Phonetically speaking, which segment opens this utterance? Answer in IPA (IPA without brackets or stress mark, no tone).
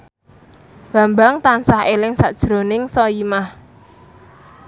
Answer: b̥